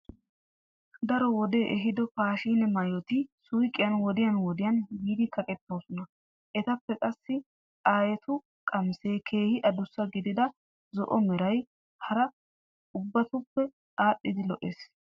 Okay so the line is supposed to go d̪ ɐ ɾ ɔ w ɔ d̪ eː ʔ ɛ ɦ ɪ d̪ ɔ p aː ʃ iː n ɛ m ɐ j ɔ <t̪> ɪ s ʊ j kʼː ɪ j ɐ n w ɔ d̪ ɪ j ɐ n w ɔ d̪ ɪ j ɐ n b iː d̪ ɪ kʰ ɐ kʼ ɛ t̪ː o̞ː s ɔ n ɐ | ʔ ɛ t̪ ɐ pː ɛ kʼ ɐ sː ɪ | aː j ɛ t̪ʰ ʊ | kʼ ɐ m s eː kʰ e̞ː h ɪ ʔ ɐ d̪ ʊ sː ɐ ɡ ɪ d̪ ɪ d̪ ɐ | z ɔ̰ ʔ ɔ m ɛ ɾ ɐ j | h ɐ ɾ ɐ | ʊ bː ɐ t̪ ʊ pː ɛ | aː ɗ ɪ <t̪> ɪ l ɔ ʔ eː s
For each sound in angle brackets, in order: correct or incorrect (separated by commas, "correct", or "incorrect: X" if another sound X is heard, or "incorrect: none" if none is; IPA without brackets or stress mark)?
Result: correct, incorrect: d̪